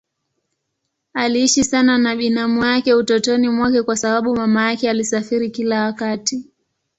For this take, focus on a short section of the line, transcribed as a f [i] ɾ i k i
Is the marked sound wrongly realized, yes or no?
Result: no